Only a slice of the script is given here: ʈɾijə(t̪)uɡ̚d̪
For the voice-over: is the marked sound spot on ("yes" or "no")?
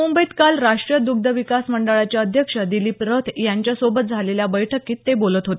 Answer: no